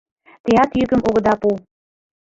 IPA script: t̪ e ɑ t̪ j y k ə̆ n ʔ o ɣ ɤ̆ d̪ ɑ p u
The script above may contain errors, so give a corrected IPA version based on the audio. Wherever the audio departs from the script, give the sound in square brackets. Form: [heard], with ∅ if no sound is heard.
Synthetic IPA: t̪ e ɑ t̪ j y k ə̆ [m] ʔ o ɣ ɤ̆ d̪ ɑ p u